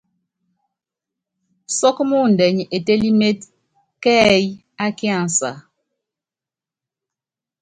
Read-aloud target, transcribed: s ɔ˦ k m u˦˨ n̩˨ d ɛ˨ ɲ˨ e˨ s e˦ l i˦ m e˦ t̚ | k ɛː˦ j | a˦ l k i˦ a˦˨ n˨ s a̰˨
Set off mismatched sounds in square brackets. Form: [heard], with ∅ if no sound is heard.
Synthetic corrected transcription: s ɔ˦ k m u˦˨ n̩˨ d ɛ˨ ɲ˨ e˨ [t] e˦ l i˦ m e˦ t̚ | k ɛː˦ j | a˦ [∅] k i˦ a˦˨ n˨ s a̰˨

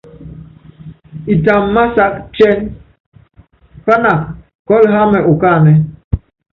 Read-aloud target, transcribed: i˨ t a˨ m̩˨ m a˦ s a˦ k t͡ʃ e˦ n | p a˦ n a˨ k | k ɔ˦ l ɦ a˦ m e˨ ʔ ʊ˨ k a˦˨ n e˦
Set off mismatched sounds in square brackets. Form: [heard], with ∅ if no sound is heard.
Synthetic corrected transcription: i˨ t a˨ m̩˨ m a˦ s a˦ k t͡ʃ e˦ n | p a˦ n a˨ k | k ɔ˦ l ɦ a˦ m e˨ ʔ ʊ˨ k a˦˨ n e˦

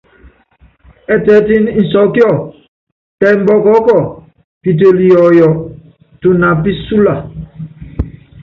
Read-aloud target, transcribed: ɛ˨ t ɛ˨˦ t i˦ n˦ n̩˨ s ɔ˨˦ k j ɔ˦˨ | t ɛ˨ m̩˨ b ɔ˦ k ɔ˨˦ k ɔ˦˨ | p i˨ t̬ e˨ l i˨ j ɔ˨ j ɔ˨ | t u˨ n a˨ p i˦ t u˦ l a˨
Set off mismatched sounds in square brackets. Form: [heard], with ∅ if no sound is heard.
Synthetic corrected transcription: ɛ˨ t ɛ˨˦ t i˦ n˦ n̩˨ s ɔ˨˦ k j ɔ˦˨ | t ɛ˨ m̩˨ b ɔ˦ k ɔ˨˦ k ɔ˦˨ | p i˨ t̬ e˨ l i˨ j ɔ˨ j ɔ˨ | t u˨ n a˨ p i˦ [s] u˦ l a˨

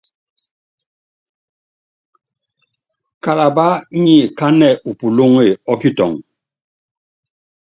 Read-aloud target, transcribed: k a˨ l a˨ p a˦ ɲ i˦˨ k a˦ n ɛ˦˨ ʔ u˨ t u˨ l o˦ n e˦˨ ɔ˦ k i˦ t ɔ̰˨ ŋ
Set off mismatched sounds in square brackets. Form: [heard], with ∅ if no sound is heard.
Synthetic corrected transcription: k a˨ l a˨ [b] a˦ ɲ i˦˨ k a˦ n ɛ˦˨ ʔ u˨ [p] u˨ l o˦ [ŋ] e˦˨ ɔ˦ k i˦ t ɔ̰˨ ŋ

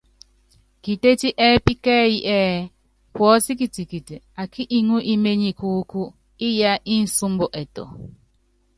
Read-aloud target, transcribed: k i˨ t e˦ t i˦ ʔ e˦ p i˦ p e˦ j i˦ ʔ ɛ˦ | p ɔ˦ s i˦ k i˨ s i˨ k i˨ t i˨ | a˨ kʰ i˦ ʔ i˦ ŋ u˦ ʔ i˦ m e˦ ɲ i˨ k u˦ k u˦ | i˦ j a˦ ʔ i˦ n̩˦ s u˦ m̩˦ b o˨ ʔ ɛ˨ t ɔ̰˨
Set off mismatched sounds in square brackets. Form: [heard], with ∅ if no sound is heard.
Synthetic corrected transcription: k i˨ t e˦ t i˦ ʔ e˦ p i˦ [k] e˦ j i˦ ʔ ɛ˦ | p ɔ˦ s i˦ k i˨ [t] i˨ k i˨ t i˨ | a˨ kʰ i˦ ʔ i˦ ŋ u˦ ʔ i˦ m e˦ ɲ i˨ k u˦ k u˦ | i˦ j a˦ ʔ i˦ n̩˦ s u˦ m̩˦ b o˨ ʔ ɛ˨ t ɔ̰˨

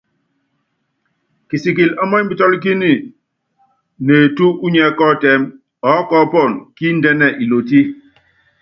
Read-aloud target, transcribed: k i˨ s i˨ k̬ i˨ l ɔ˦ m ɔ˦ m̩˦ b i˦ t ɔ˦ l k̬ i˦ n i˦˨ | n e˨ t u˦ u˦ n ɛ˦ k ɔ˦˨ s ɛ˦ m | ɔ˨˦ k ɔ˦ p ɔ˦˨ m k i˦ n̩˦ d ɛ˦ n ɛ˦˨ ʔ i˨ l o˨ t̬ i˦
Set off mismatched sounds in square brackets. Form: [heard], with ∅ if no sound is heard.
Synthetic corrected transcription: k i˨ s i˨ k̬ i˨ l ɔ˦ m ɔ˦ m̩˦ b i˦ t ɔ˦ l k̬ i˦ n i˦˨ | n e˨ t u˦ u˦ [ɲ] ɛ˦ k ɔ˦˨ [t] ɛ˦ m | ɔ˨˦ k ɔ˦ p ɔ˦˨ [n] k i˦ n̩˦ d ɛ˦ n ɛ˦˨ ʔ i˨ l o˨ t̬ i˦

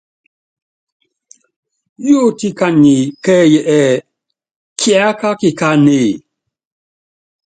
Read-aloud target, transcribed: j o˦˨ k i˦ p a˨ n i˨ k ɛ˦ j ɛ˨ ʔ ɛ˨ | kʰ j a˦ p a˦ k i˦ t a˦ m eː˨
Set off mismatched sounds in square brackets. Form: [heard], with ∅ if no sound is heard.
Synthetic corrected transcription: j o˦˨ [t] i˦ [k] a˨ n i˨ k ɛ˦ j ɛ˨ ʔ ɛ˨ | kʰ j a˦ [k] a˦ k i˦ [k] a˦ [n] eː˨

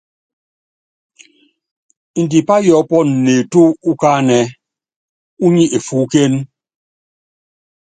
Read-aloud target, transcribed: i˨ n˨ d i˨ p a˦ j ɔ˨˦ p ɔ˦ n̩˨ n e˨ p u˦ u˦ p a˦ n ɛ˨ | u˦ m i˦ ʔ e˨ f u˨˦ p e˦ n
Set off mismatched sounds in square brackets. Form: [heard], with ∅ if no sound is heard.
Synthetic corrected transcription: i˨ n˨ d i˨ p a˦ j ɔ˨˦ p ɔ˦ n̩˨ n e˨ [t] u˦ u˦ [k] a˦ n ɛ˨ | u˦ [ɲ] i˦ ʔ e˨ f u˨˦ [k] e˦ n

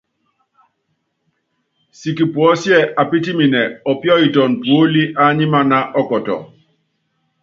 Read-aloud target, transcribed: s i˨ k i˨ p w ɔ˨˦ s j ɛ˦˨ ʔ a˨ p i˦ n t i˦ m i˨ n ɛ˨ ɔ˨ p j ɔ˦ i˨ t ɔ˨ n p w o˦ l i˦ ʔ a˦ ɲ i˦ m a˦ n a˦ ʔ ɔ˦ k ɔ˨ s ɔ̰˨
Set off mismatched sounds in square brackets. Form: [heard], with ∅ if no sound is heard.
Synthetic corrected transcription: s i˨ k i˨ p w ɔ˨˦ s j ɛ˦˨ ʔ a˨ p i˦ [∅] t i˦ m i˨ n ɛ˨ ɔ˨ p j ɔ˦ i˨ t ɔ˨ n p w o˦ l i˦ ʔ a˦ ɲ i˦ m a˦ n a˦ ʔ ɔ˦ k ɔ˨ [t] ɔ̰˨

